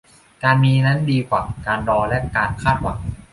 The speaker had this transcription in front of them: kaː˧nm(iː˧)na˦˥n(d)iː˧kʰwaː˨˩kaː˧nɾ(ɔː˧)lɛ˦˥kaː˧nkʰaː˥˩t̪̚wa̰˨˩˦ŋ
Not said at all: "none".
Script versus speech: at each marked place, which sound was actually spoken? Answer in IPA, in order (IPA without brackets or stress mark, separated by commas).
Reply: iː˧, d, ɔː˧